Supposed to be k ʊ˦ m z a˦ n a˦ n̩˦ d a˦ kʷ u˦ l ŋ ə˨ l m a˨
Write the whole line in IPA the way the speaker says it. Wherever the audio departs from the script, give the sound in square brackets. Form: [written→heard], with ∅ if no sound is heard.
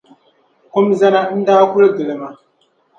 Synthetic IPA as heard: k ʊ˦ m z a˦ n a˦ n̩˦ d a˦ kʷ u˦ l [ŋ→ɡ] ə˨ l m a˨